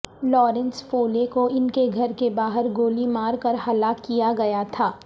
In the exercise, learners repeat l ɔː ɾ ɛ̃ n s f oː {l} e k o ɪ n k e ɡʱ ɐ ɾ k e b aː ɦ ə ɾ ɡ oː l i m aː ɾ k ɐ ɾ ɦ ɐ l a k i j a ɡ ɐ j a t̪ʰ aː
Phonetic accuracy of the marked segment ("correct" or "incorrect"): correct